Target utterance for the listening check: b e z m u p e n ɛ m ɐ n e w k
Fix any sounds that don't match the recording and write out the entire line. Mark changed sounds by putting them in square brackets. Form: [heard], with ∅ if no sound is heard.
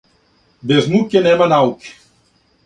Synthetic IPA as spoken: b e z [n] u [k] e n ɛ m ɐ n [a] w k